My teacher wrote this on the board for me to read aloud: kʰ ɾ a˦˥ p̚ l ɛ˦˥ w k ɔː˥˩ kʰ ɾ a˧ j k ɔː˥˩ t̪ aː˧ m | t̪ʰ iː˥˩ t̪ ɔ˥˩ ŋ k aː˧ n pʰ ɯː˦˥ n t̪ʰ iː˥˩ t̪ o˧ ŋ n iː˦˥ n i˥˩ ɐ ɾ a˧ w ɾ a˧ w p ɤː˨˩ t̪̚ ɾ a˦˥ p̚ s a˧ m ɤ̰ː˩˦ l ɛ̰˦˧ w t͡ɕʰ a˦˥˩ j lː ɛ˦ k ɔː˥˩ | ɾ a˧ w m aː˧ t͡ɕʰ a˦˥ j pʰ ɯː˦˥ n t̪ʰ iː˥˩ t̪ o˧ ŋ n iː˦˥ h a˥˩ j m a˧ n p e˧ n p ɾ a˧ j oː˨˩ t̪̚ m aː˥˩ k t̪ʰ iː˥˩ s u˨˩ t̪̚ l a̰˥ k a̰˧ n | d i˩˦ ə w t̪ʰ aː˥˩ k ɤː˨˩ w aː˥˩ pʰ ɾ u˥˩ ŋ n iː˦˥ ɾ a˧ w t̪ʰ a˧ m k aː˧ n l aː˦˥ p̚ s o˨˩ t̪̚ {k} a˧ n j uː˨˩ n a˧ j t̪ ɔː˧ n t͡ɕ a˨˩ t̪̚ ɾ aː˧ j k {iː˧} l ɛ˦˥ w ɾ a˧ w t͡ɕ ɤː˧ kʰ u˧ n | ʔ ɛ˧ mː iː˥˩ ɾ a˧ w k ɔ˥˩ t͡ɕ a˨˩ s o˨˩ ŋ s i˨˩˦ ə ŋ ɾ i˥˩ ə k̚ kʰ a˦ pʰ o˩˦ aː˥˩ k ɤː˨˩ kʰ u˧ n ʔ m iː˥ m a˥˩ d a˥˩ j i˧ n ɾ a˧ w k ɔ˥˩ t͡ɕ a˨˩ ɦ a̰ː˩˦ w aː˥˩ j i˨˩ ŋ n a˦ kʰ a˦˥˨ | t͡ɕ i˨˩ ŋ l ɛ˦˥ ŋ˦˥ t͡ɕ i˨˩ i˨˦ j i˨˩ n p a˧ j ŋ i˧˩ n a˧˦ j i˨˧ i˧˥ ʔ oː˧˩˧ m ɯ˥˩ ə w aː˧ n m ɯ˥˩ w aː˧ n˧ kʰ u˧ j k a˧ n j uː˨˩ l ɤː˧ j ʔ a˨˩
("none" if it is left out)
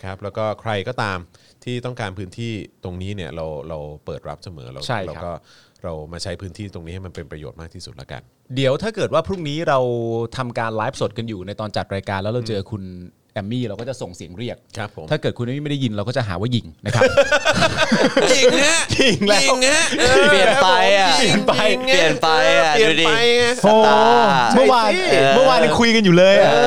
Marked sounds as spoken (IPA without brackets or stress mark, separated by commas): k, aː˧